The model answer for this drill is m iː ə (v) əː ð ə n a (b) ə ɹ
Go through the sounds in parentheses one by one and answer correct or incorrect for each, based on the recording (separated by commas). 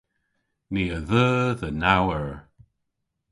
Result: incorrect, incorrect